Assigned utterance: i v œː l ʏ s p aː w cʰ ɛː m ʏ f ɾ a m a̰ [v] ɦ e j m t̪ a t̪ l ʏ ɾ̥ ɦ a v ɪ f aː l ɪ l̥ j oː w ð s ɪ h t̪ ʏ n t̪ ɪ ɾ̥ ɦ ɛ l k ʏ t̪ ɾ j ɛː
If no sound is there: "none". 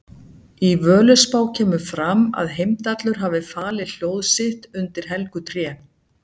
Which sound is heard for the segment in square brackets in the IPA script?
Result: ð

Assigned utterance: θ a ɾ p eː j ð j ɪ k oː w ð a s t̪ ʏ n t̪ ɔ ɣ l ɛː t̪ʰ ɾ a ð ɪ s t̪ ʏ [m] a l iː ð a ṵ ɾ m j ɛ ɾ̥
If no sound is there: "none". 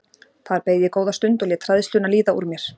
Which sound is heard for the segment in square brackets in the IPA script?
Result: n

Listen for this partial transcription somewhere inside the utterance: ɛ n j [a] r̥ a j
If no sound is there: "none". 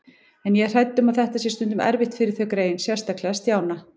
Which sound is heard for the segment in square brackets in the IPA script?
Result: ɛ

